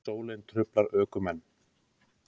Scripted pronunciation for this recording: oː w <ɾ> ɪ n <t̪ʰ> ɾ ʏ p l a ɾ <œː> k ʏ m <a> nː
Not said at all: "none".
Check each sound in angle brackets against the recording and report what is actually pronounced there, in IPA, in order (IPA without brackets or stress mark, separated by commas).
l, t̪ʰ, œː, ɛ